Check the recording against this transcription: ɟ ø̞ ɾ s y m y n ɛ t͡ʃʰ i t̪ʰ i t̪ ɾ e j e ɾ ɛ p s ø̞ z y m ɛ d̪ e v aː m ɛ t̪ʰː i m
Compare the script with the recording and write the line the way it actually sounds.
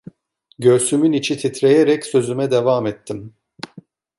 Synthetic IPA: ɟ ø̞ ɾ s y m y n i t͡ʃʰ i t̪ʰ i t̪ ɾ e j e ɾ ɛ c s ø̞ z y m ɛ d̪ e v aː m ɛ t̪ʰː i m